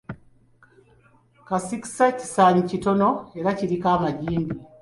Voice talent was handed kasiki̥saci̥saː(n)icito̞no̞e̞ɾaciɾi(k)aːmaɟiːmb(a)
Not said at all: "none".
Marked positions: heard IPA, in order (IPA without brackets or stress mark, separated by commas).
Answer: ɲ, k, i